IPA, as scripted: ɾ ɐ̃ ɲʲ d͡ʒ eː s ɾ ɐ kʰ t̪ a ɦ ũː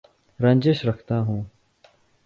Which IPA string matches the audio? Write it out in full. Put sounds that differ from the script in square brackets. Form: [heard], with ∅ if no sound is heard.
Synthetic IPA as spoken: ɾ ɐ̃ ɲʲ d͡ʒ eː [ʃ] ɾ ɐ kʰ t̪ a ɦ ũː